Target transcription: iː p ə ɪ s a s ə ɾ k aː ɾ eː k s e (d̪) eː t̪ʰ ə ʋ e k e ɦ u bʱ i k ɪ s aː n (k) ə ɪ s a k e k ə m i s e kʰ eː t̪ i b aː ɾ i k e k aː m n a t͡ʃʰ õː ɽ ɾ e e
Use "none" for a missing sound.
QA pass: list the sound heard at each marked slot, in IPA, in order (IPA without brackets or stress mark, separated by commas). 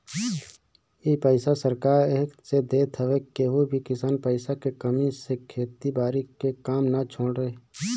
d̪, p